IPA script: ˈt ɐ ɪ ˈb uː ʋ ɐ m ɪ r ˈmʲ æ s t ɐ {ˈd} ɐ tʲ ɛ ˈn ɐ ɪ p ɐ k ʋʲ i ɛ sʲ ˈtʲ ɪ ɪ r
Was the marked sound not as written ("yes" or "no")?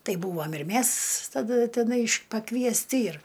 no